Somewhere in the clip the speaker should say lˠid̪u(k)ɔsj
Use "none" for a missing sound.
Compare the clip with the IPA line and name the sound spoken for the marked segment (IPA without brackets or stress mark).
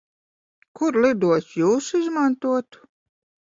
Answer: none